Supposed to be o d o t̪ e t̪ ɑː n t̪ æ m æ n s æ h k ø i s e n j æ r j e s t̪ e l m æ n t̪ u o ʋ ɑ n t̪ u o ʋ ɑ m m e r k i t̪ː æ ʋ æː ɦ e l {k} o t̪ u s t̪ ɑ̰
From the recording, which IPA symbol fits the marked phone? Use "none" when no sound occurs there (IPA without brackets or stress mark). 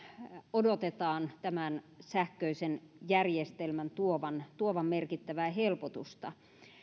p